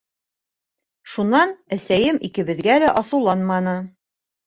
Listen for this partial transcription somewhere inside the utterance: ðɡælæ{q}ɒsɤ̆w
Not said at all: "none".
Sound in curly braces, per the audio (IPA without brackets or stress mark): ʔ